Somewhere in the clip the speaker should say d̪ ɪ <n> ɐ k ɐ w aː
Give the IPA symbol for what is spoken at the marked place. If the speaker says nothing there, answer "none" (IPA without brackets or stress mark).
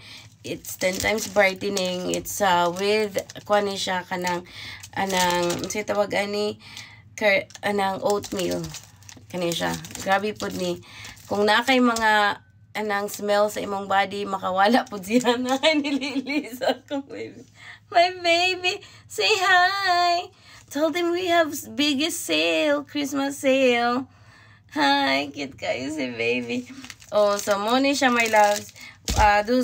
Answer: m